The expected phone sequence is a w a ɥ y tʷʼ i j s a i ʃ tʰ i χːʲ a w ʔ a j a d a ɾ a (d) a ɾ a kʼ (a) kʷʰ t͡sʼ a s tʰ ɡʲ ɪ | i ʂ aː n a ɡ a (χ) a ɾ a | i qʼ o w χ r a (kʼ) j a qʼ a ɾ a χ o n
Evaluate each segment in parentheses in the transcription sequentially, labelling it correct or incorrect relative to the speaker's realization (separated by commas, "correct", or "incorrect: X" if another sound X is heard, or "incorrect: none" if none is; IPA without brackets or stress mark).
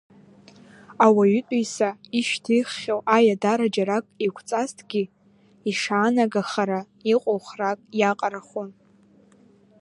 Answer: incorrect: d͡ʒ, incorrect: i, correct, correct